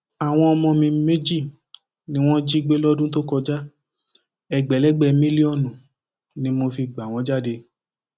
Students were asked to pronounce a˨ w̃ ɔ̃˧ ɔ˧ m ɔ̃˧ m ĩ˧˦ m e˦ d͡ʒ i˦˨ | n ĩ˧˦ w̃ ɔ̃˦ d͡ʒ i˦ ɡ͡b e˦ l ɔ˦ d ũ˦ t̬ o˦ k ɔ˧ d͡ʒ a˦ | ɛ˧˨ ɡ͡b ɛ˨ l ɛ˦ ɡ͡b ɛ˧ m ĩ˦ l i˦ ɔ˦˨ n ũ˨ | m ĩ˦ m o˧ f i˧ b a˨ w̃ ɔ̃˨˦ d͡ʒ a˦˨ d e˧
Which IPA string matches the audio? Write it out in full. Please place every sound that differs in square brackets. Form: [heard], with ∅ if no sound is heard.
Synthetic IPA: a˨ w̃ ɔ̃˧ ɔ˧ m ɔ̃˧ m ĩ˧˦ m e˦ d͡ʒ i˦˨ | n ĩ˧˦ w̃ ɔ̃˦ d͡ʒ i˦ ɡ͡b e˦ l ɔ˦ d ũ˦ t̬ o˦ k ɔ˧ d͡ʒ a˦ | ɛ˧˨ ɡ͡b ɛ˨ l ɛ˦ ɡ͡b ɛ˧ m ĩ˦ l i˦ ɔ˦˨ n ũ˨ | [n] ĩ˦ m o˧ f i˧ [ɡ͡b] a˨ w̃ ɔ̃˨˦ d͡ʒ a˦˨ d e˧